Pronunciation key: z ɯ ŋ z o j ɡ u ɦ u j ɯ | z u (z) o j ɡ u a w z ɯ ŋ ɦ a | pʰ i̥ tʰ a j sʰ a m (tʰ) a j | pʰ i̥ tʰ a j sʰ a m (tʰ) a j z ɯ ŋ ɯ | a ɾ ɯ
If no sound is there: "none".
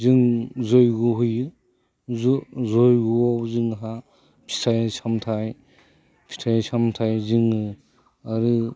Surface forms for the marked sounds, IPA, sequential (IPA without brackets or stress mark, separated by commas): z, tʰ, tʰ